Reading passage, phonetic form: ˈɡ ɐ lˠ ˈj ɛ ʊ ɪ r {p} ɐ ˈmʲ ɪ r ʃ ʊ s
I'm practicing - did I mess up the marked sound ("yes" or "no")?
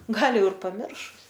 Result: no